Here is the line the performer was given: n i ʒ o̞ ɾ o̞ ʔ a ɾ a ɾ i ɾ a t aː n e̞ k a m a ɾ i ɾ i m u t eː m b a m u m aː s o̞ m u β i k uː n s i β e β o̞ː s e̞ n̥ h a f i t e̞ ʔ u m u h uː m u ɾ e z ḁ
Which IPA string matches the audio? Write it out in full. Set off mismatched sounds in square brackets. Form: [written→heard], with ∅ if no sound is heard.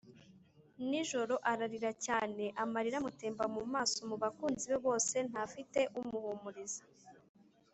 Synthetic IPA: n i ʒ o̞ ɾ o̞ ʔ a ɾ a ɾ i ɾ a [t→c] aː n e̞ [k→ʔ] a m a ɾ i ɾ [i→a] m u t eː m b a m u m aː s o̞ m u β [i→a] k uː n [s→z] i β e β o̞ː s e̞ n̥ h a f i t e̞ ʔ u m u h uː m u ɾ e z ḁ

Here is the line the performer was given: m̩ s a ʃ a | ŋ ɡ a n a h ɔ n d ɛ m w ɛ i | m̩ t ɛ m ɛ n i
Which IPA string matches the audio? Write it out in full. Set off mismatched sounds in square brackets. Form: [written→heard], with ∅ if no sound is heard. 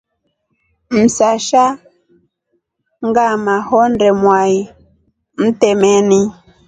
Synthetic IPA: m̩ s a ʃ a | ŋ ɡ a [n→m] a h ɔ n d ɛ m w [ɛ→a] i | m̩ t ɛ m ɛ n i

